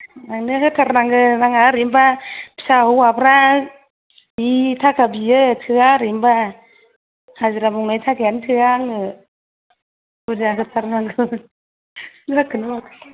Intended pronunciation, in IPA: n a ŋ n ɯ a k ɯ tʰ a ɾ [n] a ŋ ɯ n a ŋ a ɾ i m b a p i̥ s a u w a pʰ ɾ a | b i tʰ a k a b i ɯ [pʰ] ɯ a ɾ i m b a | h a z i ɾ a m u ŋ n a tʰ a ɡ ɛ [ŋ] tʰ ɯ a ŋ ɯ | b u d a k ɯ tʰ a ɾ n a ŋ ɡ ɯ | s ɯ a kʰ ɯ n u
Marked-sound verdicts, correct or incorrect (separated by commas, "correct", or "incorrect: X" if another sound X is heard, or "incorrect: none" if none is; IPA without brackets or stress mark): correct, incorrect: tʰ, incorrect: n